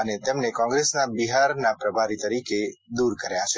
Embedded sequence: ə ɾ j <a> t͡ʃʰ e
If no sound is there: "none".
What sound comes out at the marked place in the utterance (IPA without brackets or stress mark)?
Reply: a